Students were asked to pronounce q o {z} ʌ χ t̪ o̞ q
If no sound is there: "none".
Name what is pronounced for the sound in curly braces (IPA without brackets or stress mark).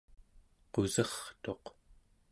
z